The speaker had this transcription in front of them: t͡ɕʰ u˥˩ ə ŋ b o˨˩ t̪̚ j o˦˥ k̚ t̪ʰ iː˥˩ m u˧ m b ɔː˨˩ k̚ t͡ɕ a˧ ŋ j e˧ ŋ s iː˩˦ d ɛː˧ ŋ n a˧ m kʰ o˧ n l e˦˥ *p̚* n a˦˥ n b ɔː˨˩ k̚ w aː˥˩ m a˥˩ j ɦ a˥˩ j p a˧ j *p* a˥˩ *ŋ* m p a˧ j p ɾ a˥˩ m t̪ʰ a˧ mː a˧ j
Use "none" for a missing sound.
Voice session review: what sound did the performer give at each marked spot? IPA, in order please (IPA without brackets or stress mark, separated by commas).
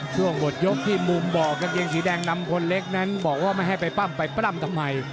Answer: k̚, p, none